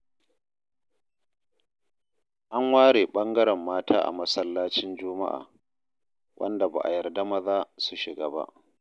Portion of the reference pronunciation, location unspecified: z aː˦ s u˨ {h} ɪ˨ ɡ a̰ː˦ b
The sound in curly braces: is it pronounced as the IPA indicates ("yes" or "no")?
no